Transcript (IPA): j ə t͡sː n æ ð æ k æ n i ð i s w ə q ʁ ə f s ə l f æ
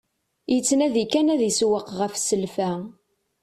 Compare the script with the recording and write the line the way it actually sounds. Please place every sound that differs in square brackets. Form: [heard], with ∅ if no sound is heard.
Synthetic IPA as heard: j ə t͡sː n æ ð [i] k æ n [æ] ð i s w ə q ʁ ə f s ə l f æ